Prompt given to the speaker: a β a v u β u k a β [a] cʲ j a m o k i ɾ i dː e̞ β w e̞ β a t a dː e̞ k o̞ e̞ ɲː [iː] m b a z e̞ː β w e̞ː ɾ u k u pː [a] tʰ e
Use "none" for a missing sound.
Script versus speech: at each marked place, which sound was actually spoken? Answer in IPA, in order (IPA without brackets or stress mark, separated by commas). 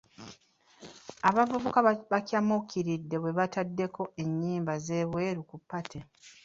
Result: a, iː, a